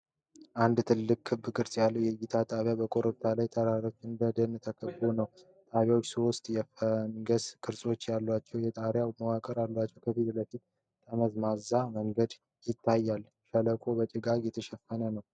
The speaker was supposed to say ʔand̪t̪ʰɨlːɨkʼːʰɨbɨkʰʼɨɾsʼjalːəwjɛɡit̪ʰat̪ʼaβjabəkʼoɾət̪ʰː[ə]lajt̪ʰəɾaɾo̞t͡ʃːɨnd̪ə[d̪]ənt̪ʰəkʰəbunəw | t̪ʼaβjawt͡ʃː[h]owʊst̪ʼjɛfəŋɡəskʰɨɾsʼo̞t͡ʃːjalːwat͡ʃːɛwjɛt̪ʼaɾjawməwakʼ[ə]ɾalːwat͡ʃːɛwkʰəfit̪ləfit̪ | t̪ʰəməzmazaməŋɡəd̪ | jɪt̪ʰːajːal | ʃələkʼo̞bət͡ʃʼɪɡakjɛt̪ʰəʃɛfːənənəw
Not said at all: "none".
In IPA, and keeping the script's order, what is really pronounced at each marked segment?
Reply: a, d̪, s, ə

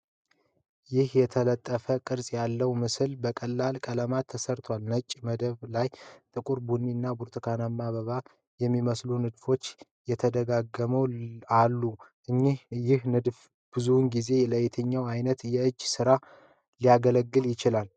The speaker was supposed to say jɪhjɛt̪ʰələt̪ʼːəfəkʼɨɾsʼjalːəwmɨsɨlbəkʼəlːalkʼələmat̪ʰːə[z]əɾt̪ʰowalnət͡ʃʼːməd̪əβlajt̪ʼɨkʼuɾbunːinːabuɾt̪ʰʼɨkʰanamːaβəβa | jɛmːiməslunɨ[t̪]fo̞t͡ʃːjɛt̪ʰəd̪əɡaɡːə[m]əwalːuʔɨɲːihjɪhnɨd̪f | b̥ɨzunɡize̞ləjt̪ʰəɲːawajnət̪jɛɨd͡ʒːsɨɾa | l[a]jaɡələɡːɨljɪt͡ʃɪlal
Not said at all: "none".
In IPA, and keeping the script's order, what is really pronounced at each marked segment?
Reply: s, d̪, m, i

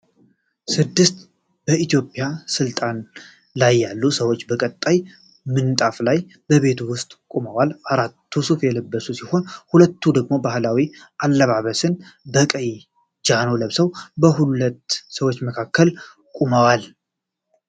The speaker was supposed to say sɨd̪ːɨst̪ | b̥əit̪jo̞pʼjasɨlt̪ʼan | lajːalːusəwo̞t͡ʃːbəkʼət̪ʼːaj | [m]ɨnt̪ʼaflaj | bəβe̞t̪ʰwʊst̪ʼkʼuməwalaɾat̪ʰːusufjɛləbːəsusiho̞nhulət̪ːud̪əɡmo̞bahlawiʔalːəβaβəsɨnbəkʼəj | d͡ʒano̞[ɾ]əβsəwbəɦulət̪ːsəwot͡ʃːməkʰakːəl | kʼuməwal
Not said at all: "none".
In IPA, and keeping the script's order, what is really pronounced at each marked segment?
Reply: m, l

